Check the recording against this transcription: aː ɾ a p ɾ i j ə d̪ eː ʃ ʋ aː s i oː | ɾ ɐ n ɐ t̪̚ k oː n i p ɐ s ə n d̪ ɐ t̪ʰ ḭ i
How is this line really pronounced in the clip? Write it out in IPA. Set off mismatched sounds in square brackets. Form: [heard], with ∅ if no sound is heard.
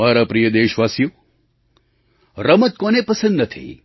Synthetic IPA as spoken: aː ɾ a p ɾ i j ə d̪ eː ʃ ʋ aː s [j] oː | ɾ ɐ [m] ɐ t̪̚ k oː n [e] p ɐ s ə n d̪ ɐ t̪ʰ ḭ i